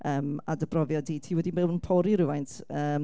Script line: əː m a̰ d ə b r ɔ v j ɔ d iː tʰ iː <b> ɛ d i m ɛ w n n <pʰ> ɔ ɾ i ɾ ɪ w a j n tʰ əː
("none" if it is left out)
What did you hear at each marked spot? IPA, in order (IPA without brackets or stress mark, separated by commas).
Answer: w, pʰ